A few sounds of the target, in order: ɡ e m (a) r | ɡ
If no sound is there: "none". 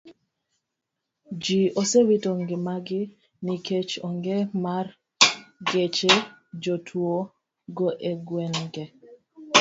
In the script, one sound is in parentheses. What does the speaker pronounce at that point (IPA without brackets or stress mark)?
a